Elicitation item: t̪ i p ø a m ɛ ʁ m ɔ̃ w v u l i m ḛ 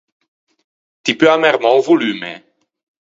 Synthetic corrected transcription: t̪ i p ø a m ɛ ʁ m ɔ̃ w v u l y m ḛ